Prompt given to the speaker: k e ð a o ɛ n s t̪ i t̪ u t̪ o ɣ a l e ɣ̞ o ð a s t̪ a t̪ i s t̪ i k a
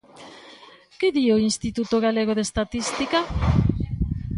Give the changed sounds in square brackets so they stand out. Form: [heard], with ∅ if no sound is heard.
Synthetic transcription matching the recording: k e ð [i] o [i] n s t̪ i t̪ u t̪ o ɣ a l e ɣ̞ o ð [e] s t̪ a t̪ i s t̪ i k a